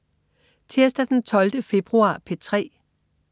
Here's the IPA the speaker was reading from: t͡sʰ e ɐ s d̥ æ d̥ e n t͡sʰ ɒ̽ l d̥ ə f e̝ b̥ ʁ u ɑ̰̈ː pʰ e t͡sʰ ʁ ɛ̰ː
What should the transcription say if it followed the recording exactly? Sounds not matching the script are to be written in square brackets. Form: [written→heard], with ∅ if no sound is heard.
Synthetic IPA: t͡sʰ e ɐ s d̥ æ d̥ e n t͡sʰ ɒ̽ l d̥ ə f e̝ b̥ ʁ u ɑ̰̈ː pʰ e t͡sʰ ʁ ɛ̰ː